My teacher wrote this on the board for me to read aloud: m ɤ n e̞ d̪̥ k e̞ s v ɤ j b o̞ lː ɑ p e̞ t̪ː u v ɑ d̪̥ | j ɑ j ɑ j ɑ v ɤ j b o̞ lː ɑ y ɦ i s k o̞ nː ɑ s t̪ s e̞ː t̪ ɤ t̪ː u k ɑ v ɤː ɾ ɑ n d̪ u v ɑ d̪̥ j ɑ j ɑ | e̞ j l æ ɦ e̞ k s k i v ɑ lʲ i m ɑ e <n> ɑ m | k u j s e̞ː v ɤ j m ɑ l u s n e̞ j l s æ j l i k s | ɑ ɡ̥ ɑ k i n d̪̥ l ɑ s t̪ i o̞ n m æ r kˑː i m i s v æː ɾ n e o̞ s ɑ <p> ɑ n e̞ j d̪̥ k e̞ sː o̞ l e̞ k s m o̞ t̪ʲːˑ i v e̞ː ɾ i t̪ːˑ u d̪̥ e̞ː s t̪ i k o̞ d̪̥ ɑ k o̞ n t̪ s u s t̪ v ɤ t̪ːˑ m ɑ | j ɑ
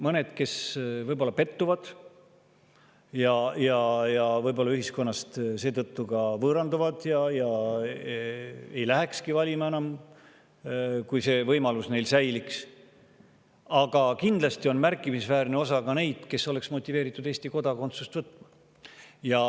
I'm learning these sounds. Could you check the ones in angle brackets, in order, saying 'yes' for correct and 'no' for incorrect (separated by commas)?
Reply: yes, no